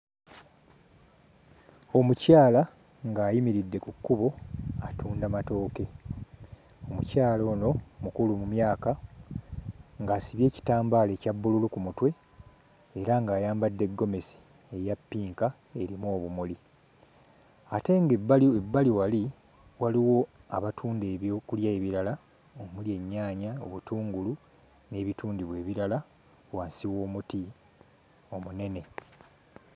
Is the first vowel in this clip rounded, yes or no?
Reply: yes